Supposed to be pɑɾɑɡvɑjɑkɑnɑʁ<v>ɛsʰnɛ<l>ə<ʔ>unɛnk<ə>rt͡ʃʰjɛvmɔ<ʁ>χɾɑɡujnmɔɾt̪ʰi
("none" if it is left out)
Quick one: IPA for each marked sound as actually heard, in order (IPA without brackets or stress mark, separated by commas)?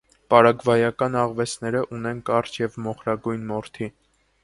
v, ɾ, ʔ, ɑ, none